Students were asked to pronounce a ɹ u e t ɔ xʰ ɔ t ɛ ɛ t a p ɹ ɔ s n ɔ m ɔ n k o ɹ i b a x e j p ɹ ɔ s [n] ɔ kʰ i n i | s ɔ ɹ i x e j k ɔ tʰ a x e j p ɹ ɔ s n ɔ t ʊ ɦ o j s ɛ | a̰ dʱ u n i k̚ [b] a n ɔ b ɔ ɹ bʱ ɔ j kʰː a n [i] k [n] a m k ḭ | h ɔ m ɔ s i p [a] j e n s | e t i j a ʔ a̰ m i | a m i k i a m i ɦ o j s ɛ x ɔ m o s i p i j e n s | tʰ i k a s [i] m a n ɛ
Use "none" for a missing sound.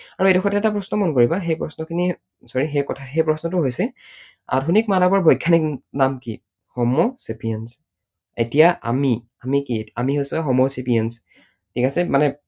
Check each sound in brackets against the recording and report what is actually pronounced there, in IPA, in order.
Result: n, m, i, n, i, ɛ

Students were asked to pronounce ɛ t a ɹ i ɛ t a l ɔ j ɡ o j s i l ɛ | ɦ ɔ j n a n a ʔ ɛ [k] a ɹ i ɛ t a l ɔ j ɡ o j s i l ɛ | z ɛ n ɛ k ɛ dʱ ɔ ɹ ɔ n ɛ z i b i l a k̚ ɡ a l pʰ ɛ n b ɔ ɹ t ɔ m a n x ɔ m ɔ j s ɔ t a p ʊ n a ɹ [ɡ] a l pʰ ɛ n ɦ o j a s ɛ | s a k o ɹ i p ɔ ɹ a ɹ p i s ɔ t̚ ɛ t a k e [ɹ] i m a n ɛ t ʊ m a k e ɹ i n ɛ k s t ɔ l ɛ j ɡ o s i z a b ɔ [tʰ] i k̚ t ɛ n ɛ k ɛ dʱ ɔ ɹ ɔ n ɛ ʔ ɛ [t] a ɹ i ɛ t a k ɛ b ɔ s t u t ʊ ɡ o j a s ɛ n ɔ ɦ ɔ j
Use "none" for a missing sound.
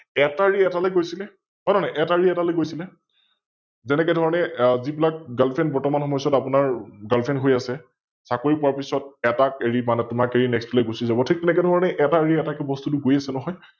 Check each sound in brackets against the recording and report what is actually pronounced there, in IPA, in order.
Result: t, ɡ, ɹ, tʰ, t

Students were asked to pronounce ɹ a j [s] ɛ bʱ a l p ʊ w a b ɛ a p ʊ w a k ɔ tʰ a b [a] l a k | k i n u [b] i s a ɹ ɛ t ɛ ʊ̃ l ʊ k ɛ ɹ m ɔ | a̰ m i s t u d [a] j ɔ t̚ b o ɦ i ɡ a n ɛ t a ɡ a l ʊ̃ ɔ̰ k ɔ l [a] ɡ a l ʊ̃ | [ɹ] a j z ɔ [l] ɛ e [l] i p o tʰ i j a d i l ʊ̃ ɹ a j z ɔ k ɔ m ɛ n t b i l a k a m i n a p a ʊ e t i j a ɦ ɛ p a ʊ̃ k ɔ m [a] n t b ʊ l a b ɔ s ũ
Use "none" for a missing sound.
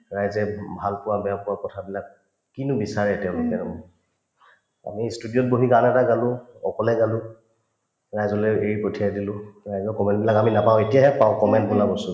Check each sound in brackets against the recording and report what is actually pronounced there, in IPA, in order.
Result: z, i, b, i, ɛ, ɹ, l, ɹ, ɛ

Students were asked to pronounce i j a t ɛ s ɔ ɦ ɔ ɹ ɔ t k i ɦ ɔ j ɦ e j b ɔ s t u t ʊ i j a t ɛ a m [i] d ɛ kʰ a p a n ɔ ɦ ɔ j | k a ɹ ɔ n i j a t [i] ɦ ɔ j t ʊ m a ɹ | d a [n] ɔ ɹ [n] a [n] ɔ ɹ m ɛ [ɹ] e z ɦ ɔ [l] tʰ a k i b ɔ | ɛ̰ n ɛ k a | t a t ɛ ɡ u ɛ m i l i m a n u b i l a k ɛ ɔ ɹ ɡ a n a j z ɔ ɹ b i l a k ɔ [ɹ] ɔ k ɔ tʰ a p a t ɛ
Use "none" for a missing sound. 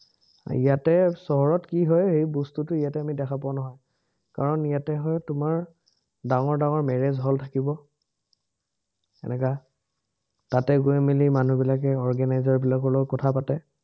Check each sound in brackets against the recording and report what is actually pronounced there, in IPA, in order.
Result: i, ɛ, ŋ, d, ŋ, ɹ, l, l

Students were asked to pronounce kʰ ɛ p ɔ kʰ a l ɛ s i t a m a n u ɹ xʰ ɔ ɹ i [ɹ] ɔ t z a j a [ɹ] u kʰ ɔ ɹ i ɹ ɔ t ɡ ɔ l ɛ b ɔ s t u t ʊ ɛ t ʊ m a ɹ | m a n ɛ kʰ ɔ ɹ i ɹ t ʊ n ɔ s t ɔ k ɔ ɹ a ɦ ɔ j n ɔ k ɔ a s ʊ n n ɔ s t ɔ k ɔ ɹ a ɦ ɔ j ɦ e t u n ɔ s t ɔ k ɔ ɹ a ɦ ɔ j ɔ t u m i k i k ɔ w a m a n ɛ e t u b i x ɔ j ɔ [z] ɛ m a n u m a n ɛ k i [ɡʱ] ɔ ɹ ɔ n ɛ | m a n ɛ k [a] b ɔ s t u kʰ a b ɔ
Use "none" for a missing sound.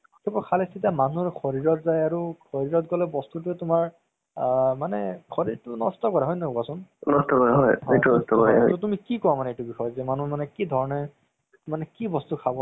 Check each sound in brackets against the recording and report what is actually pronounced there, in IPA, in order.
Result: ɹ, ɹ, z, dʱ, i

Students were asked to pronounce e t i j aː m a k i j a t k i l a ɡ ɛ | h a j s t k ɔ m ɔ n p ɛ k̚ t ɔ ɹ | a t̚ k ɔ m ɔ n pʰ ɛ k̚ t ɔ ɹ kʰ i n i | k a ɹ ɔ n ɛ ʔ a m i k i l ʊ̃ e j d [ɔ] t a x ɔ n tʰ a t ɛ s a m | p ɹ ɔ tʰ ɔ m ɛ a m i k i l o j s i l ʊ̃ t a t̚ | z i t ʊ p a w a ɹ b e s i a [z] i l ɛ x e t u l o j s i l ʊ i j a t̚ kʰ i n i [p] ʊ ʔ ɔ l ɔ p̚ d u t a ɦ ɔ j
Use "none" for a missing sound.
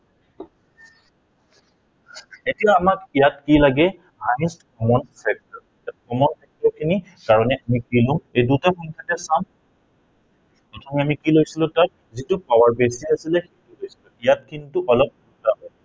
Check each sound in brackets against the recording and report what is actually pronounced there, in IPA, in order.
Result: u, s, t

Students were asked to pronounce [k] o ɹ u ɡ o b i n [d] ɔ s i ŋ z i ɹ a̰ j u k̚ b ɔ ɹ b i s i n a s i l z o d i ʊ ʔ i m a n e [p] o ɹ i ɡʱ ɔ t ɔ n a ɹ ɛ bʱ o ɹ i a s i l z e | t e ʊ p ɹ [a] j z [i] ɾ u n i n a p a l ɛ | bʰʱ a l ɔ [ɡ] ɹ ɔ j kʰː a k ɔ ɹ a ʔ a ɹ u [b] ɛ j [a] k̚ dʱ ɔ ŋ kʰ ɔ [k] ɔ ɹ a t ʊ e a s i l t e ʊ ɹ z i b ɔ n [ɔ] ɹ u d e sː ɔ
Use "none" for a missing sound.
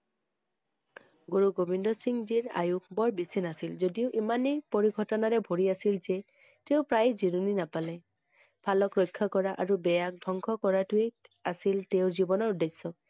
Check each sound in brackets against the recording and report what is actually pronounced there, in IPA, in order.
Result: ɡ, d, p, a, i, k, b, a, k, ɔ

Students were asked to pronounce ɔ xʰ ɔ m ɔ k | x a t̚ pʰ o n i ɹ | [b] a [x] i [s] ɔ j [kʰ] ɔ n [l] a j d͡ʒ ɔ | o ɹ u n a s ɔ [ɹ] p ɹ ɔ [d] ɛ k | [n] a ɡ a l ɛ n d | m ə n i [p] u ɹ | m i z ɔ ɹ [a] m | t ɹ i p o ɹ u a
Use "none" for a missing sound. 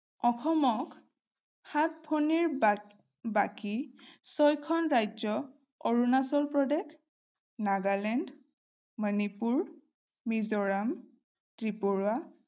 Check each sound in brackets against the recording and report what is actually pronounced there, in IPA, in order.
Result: b, k, s, kʰ, ɹ, l, d, n, p, a

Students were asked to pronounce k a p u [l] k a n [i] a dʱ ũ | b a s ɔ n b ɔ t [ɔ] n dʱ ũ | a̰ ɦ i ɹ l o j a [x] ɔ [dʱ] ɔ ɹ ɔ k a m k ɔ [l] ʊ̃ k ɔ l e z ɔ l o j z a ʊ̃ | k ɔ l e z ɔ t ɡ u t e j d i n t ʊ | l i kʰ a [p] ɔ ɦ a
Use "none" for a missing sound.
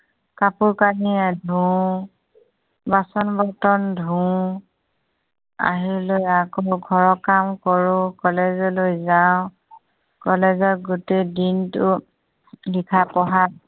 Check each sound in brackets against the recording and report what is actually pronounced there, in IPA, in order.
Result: ɹ, i, ɔ, k, ɡʱ, ɹ, p

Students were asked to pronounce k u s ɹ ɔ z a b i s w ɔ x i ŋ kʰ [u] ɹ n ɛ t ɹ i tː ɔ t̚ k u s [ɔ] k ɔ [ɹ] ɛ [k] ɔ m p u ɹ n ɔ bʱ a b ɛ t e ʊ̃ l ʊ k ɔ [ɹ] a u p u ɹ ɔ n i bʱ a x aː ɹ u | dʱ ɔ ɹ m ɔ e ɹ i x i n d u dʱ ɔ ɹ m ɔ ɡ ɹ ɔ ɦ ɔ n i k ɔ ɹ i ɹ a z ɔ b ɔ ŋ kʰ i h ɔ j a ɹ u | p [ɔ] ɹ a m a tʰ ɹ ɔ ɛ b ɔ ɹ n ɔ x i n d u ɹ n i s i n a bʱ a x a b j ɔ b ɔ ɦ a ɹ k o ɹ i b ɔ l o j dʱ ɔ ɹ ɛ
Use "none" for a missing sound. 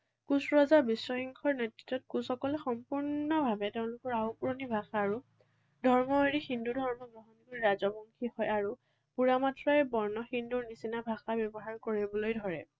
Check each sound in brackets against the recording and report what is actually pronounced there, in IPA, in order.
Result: ɔ, ɔ, l, x, ɹ, u

